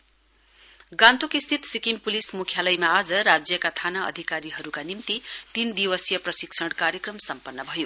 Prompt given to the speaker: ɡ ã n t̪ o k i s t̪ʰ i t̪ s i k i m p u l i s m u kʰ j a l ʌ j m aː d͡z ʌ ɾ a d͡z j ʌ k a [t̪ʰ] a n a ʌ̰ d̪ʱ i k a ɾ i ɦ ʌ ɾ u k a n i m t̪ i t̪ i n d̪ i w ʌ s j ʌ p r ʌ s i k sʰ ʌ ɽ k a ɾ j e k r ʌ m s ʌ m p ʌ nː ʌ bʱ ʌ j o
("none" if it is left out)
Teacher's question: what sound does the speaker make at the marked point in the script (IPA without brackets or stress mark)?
t̪ʰ